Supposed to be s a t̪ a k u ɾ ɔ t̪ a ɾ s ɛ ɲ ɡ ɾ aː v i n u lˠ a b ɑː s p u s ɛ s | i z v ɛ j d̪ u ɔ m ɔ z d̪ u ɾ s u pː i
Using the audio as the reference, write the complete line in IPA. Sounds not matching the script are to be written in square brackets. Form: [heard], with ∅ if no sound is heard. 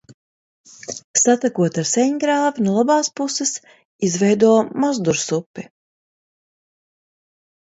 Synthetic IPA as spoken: s a t̪ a k u [∅] ɔ t̪ a ɾ s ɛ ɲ ɡ ɾ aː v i n u lˠ a b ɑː s p u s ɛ s | i z v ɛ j d̪ u ɔ m ɔ z d̪ u ɾ s u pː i